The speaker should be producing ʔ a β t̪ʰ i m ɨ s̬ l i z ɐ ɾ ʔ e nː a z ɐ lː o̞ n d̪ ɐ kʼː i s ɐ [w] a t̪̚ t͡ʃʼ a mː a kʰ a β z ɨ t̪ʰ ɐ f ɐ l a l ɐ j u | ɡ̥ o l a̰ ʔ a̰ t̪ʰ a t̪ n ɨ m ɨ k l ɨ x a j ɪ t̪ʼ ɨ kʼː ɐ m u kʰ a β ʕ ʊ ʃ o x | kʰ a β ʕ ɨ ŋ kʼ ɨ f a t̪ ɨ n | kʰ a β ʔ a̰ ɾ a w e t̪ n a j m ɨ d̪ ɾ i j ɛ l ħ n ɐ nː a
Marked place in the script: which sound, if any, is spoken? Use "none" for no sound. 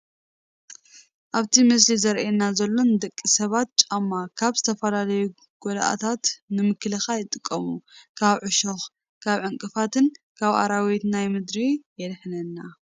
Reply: β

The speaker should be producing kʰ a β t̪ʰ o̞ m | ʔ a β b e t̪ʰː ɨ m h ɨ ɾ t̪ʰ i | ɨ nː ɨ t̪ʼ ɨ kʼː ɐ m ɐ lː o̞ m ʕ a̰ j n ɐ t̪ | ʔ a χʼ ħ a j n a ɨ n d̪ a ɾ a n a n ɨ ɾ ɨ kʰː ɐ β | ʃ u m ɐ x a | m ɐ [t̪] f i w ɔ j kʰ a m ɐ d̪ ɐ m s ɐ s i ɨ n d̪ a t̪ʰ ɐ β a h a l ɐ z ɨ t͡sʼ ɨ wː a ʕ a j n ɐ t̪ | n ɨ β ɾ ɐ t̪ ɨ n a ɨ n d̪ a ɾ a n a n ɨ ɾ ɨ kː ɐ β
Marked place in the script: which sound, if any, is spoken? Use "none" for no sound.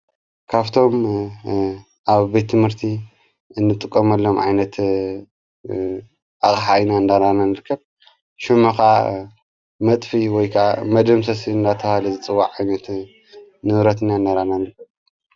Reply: t̪ʼ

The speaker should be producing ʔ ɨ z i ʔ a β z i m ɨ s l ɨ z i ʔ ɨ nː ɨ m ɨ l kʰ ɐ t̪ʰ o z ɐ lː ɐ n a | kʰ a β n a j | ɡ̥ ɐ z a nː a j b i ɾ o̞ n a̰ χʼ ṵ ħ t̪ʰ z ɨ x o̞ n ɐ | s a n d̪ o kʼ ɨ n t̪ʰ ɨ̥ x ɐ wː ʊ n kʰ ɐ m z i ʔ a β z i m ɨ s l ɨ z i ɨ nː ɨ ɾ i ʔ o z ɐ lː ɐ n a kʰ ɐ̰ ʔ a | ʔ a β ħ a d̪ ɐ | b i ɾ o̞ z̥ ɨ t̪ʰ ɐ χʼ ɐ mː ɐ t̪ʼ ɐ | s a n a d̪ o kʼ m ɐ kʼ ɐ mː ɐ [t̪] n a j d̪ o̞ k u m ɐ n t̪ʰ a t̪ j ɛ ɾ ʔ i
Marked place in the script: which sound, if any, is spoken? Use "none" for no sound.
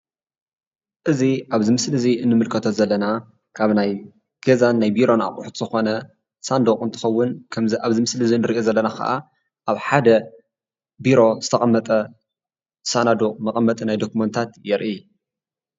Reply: t̪ʼ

